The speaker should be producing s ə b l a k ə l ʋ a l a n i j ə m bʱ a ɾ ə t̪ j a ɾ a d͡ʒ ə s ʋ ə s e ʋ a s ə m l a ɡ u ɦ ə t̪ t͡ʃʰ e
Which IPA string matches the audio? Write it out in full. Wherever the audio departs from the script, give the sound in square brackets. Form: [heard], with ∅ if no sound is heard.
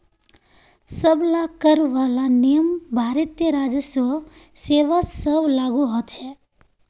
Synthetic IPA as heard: s ə b l a k ə [ɾ] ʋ a l a n i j ə m bʱ a ɾ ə t̪ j [ə] ɾ a d͡ʒ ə s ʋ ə s e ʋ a s ə [b] l a ɡ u ɦ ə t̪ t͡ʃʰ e